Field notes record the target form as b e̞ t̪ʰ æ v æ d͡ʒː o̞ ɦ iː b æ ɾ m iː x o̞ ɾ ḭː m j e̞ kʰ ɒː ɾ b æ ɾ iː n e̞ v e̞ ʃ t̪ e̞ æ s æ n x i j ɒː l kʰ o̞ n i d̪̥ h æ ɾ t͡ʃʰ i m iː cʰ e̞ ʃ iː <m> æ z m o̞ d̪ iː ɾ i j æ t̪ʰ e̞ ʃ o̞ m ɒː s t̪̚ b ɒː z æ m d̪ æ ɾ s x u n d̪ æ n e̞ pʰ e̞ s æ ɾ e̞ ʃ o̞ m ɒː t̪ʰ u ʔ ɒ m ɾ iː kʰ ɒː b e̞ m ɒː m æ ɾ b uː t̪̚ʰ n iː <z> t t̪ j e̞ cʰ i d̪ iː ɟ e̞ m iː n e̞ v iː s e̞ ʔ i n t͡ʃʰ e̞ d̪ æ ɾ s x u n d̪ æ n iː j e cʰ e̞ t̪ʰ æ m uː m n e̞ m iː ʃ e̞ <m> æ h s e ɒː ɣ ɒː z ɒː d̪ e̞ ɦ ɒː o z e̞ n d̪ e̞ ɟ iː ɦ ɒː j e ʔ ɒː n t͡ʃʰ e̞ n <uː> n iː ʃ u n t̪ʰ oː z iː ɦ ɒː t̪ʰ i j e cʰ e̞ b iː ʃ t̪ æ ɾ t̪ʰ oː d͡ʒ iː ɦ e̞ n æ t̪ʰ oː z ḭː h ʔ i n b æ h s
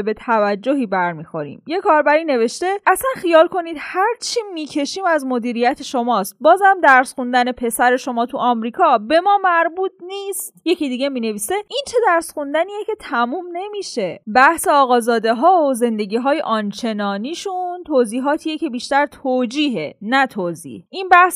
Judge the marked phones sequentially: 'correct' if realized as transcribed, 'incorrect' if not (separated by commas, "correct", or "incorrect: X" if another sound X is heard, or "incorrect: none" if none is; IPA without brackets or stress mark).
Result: correct, incorrect: s, incorrect: b, incorrect: ɒː